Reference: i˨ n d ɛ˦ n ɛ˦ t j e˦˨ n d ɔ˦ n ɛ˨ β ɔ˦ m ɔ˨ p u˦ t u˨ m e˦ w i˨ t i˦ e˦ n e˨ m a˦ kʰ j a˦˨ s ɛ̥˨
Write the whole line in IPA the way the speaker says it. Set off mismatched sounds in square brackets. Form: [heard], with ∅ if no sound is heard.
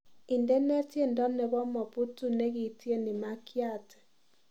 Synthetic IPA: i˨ n d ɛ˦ n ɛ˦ t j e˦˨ n d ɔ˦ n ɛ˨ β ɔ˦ m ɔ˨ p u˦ t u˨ [n] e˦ [ɣ] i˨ t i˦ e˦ n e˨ m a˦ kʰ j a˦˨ [t] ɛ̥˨